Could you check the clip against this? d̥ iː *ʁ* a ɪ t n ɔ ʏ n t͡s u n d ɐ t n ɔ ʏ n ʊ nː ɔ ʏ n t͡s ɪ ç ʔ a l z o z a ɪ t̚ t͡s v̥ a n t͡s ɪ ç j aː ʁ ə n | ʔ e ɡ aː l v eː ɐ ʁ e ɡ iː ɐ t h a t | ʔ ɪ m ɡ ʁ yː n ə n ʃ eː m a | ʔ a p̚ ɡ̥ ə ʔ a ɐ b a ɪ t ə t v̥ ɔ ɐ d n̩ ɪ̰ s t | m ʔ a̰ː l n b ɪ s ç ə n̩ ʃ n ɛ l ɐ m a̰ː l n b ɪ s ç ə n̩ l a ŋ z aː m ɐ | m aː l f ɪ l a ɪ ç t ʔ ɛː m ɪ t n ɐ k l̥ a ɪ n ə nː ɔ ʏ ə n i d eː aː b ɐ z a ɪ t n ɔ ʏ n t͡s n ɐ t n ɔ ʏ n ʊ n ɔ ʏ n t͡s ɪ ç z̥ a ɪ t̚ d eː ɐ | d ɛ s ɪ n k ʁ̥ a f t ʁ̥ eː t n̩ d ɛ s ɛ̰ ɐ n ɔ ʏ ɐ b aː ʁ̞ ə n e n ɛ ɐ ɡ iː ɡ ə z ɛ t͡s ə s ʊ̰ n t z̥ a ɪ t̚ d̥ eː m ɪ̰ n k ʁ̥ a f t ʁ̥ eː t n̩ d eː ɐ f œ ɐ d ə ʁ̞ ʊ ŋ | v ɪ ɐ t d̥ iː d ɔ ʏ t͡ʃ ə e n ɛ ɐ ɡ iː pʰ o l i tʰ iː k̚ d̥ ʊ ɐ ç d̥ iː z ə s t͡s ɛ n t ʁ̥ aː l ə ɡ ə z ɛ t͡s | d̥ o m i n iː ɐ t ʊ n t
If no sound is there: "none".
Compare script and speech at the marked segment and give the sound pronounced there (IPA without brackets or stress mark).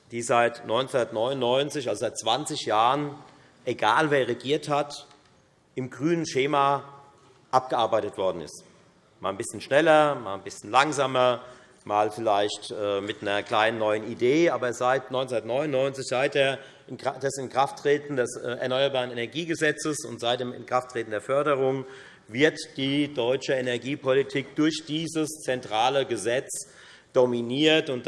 z